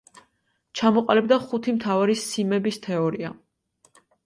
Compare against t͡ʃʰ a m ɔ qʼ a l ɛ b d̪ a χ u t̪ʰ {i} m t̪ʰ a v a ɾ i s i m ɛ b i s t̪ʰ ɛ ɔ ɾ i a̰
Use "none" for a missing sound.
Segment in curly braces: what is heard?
i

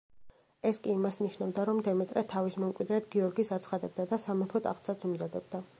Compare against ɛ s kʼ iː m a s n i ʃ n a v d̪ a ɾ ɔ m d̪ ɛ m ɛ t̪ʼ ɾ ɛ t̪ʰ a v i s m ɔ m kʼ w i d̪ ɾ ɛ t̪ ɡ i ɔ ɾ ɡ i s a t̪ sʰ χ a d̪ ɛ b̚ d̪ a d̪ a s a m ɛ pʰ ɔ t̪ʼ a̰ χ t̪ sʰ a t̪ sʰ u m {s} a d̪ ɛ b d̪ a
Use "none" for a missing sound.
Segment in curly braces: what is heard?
z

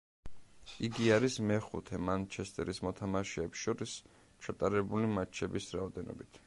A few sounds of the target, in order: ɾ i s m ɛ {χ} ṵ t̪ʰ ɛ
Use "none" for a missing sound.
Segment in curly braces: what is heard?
χ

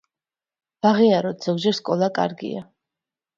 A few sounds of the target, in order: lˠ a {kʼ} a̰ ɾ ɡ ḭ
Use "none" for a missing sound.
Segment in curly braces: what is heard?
kʼ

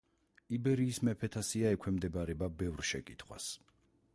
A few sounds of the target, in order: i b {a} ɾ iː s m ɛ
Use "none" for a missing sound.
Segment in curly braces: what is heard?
ɛ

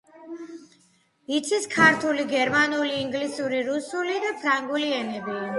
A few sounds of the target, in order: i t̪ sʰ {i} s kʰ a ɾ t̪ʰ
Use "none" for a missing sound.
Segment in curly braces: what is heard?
i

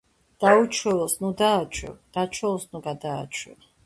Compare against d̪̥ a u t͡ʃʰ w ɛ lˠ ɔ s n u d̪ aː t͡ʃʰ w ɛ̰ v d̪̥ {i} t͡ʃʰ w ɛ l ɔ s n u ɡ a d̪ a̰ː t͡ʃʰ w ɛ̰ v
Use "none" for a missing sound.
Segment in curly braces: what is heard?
a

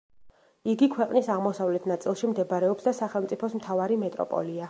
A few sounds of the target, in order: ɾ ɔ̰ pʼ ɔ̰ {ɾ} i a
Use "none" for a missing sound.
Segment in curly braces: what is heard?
l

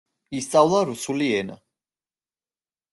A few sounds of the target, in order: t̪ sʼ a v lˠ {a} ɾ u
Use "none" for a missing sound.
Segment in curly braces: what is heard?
a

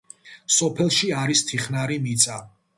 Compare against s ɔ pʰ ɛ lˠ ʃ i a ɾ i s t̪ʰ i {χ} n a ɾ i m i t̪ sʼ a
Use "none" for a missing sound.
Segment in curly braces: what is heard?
χ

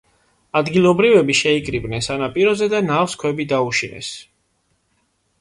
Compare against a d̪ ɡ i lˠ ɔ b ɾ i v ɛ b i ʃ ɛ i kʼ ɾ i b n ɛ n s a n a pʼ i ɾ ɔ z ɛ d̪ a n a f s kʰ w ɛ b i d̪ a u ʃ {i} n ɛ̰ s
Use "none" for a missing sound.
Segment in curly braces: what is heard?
i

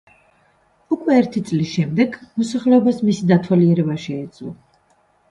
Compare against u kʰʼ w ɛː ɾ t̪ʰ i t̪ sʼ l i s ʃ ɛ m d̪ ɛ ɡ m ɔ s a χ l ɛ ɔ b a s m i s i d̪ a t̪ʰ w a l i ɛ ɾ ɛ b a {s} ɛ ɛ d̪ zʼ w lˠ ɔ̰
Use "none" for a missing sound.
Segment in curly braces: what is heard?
ʃ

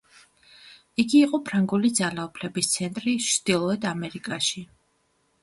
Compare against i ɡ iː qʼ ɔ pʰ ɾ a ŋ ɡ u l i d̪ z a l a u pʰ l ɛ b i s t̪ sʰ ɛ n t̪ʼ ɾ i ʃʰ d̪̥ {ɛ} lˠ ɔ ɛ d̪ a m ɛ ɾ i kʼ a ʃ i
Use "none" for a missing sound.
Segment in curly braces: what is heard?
i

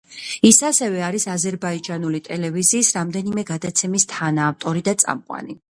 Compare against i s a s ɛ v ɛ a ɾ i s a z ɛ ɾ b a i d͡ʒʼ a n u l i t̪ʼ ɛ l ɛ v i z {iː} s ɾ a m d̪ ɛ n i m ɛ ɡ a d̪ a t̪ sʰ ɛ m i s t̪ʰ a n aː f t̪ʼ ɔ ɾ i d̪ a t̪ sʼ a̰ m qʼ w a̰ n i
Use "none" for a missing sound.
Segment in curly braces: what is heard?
iː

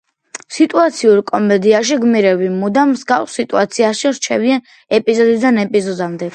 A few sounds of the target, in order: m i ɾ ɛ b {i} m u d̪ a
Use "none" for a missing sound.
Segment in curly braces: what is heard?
i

